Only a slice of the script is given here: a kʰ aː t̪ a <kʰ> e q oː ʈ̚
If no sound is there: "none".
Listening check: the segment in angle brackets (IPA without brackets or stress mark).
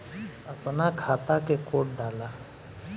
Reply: k